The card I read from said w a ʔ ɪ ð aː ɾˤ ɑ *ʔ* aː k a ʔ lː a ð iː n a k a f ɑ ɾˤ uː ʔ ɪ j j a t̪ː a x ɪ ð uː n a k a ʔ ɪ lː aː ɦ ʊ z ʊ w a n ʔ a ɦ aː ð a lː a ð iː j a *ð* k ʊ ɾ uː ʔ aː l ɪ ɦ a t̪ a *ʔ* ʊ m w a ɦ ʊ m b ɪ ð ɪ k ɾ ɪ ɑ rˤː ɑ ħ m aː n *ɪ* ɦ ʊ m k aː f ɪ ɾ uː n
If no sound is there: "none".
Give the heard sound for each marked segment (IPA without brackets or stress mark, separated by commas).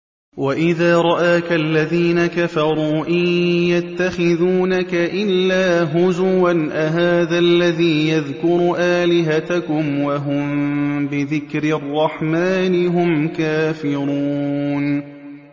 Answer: ʔ, ð, k, ɪ